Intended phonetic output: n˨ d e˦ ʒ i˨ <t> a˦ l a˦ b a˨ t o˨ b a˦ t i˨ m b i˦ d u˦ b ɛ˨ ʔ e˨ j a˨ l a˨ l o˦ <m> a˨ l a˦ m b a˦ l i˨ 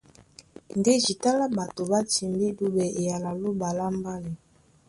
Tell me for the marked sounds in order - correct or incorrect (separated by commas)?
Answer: correct, incorrect